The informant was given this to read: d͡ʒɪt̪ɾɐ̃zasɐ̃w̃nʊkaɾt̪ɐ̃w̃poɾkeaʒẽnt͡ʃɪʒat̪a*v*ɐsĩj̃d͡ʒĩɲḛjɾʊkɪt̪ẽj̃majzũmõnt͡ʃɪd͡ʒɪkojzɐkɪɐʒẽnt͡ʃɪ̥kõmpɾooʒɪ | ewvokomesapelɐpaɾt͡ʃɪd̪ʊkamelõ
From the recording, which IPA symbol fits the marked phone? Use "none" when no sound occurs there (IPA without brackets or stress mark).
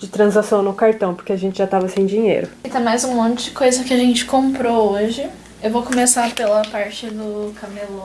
v